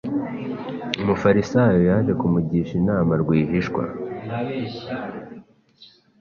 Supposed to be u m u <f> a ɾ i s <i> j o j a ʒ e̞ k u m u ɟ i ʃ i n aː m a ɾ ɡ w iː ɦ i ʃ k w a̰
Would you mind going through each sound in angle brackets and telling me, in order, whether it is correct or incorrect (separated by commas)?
correct, incorrect